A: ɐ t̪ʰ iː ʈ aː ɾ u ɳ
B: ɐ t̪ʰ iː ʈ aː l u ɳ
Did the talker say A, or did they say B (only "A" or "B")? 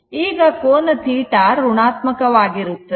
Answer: A